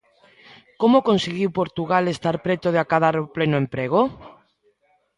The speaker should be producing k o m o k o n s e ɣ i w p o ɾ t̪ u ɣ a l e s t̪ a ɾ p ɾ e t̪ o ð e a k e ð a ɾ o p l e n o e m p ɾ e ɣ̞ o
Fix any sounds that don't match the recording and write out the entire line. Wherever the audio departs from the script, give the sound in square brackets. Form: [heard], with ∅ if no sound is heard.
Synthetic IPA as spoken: k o m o k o n s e ɣ i w p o ɾ t̪ u ɣ a l e s t̪ a ɾ p ɾ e t̪ o ð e a k [a] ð a ɾ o p l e n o e m p ɾ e ɣ̞ o